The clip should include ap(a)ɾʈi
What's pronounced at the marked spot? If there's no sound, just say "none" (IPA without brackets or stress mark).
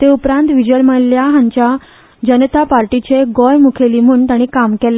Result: a